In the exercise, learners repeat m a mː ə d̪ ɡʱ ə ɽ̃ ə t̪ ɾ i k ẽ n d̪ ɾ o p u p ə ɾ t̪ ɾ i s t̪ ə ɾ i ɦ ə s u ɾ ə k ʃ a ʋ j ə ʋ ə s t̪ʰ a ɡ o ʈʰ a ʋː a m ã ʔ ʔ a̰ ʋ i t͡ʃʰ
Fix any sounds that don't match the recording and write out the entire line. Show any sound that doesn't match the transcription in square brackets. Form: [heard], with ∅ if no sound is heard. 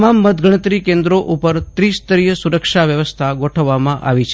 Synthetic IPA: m a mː ə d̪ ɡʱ ə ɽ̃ ə t̪ ɾ i k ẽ n d̪ ɾ o [ʔ] u p ə ɾ t̪ ɾ i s t̪ ə ɾ i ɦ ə s u ɾ ə k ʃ a ʋ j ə ʋ ə s t̪ʰ a ɡ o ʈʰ [ə] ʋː a m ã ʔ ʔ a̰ ʋ i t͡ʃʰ

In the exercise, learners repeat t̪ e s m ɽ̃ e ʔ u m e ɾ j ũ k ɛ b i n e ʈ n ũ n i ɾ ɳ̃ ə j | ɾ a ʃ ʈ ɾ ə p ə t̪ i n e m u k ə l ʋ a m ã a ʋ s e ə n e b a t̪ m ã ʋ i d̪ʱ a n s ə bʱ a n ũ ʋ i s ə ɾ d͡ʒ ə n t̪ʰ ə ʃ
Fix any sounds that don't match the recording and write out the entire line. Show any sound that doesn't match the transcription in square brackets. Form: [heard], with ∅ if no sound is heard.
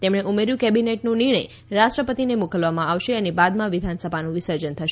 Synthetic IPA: t̪ e [∅] m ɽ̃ e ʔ u m e ɾ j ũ k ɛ b i n e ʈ n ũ n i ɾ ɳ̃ ə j | ɾ a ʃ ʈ ɾ ə p ə t̪ i n e m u k ə l ʋ a m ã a ʋ [ʃ] e ə n e b a [d̪] m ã ʋ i d̪ʱ a n s ə bʱ a n ũ ʋ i s ə ɾ d͡ʒ ə n t̪ʰ ə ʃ

